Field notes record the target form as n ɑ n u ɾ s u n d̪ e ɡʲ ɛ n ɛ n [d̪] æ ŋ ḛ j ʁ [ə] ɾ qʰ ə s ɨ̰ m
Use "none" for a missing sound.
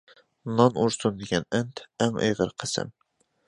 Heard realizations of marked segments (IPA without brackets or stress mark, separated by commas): t̪, ə